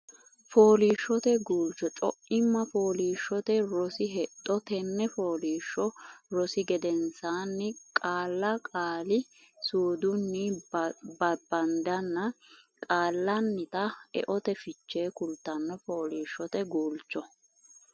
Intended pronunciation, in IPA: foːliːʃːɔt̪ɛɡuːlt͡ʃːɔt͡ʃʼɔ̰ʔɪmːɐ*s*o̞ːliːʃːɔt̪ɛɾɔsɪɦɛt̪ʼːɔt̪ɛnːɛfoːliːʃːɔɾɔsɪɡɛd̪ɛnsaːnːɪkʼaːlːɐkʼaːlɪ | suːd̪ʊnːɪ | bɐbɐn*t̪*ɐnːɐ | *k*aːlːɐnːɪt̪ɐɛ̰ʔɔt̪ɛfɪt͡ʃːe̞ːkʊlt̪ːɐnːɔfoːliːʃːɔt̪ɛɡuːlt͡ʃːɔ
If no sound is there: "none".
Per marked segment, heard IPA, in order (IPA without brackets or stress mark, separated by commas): f, d̪, kʼ